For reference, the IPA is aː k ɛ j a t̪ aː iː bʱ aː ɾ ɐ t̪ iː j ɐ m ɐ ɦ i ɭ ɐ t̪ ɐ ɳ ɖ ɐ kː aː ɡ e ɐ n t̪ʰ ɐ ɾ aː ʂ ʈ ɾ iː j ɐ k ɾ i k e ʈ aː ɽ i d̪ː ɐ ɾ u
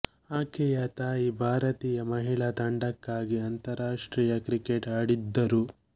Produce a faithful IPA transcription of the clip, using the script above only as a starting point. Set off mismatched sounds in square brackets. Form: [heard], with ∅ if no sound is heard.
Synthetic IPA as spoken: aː k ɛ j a t̪ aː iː bʱ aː ɾ ɐ t̪ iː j ɐ m ɐ ɦ i ɭ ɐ t̪ ɐ ɳ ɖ ɐ kː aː ɡ [i] ɐ n [t̪] ɐ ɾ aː ʂ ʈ ɾ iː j ɐ k ɾ i k e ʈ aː ɽ i d̪ː ɐ ɾ u